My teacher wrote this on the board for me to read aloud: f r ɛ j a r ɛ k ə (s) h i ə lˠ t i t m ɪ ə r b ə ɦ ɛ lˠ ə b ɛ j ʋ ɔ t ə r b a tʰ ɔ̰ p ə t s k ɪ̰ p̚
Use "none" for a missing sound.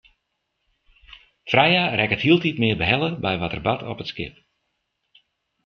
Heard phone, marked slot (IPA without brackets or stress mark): t